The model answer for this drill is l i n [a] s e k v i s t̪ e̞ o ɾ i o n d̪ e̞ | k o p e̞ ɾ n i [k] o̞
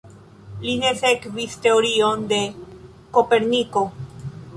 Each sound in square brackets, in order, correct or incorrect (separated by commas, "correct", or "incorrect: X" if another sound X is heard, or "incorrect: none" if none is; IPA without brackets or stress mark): incorrect: e, correct